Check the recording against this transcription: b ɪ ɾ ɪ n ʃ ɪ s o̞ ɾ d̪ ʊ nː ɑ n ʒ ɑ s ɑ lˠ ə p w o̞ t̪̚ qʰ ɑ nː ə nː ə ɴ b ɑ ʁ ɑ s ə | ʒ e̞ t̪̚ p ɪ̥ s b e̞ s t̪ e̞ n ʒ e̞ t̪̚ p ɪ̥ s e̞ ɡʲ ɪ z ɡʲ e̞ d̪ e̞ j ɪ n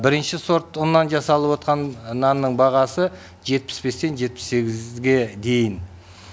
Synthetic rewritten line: b ɪ ɾ ɪ n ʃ ɪ s o̞ ɾ t̪ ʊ nː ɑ n ʒ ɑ s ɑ lˠ ə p w o̞ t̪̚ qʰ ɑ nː ɑ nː ə ɴ b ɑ ʁ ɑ s ə | ʒ e̞ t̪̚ p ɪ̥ s b e̞ s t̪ e̞ n ʒ e̞ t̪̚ p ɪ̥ s e̞ ɡʲ ɪ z ɡʲ e̞ d̪ e̞ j ɪ n